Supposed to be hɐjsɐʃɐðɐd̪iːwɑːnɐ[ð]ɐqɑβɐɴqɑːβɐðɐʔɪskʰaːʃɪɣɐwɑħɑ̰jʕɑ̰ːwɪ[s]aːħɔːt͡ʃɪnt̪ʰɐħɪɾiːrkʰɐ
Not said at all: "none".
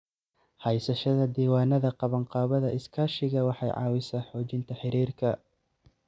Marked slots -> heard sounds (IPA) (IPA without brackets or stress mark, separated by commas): ð, s